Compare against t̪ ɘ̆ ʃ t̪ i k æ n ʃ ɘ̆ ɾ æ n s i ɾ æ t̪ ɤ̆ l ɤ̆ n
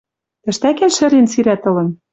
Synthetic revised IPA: t̪ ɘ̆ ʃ t̪ æ k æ n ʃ ɘ̆ ɾ e n s i ɾ æ t̪ ɤ̆ l ɤ̆ n